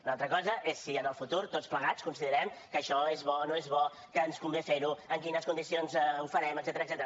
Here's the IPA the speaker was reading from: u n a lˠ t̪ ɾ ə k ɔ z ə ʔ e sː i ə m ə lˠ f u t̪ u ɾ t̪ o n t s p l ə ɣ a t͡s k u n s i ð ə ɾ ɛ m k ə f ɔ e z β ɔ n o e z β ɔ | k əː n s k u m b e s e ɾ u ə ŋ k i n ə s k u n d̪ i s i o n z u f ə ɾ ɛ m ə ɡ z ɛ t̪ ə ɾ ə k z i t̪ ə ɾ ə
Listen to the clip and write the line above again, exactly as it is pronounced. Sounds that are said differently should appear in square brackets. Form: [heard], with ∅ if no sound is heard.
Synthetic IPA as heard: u n a lˠ t̪ ɾ ə k ɔ z ə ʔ e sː i ə [n] ə lˠ f u t̪ u ɾ t̪ o [∅] t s p l ə ɣ a t͡s k u n s i ð ə ɾ ɛ m k ə [ʃ] ɔ e z β ɔ n o e z β ɔ | k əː n s k u m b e [f] e ɾ u ə ŋ k i n ə s k u n d̪ i s i o n z u f ə ɾ ɛ m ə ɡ z ɛ t̪ ə ɾ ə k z [ɛ] t̪ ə ɾ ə

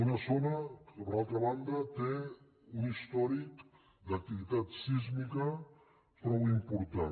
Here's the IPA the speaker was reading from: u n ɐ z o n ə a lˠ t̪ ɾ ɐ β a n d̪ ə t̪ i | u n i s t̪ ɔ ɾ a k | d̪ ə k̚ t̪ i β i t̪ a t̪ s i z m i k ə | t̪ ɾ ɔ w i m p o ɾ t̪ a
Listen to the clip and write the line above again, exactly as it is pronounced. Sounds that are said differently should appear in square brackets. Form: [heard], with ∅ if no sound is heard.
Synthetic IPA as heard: u n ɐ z o n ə a lˠ t̪ ɾ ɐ β a n d̪ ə t̪ [e] | u n i s t̪ ɔ ɾ [i] k | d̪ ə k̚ t̪ i β i t̪ a t̪ s i z m i k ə | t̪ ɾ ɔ w i m p [u] ɾ t̪ a

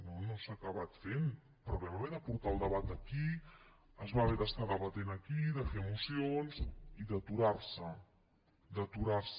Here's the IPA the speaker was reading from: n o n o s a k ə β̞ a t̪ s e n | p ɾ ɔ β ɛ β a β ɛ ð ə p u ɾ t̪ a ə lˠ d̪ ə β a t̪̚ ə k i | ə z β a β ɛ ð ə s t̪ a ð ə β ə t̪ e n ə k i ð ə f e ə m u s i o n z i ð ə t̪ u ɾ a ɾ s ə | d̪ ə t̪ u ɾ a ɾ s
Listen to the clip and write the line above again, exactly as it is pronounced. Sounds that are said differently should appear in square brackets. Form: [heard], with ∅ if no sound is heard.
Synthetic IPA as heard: n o n o s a k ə β̞ a t̪ [f] e n | p ɾ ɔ β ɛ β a β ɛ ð ə p u ɾ t̪ a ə lˠ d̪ ə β a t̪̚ ə k i | ə z β a β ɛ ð ə s t̪ a ð ə β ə t̪ e n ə k i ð ə f e ə m u s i o n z i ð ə t̪ u ɾ a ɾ s ə | d̪ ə t̪ u ɾ a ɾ s

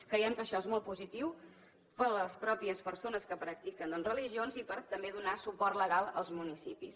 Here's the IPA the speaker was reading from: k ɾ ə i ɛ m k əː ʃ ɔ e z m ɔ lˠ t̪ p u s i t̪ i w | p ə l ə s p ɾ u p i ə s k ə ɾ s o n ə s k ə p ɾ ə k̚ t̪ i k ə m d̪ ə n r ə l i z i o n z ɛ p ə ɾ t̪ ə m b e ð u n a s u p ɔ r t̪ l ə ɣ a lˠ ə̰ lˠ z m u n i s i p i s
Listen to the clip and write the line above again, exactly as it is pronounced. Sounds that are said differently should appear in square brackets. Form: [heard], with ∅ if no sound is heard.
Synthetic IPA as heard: k ɾ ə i ɛ m k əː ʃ ɔ e z m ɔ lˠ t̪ p u [z] i t̪ i w | p ə l ə s p ɾ [ɔ] p i ə s [p] ə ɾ s o n ə s k ə p ɾ ə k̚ t̪ i k ə [n] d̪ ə n r ə l i [ʒ] i o n z [i] p ə ɾ t̪ ə m b e ð u n a s u p ɔ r t̪ l ə ɣ a lˠ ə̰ lˠ z m u n i s i p i s

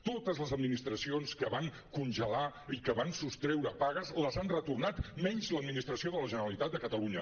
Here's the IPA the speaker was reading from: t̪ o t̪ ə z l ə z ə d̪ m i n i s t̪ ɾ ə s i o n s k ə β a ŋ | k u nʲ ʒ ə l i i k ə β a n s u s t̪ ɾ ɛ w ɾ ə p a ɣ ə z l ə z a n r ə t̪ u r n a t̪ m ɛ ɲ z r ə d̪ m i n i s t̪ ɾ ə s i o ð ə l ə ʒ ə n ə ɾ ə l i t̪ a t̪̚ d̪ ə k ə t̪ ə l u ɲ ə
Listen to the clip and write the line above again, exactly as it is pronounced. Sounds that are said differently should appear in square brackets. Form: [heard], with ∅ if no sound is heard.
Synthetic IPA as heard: t̪ o t̪ ə z l ə z ə d̪ m i n i s t̪ ɾ ə s i o n s k ə β a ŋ | k u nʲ ʒ ə l [a] i k ə β a n s u s t̪ ɾ ɛ w ɾ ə p a ɣ ə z l ə z a n r ə t̪ u r n a t̪ m ɛ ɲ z [l] ə d̪ m i n i s t̪ ɾ ə s i o ð ə l ə ʒ ə n ə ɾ ə l i t̪ a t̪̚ d̪ ə k ə t̪ ə l u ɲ ə

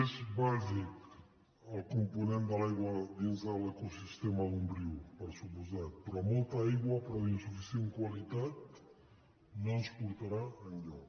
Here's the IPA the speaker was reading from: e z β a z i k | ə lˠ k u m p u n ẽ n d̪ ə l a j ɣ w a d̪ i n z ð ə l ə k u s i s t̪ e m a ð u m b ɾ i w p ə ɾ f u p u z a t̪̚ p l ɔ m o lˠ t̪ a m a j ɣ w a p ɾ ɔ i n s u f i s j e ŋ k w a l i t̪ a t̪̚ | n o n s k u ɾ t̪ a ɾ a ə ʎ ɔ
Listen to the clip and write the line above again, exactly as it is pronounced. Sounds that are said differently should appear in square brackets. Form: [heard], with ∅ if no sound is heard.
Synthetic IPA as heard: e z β a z i k | ə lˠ k u m p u n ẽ n d̪ ə l a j ɣ w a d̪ i n z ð ə l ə k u s i s t̪ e m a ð u m b ɾ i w p ə ɾ [s] u p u z a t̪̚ p [ɾ] ɔ m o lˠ t̪ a [∅] a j ɣ w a p ɾ ɔ i n s u f i s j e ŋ k w a l i t̪ a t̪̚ | n o n s [p] u ɾ t̪ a ɾ a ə ʎ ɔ

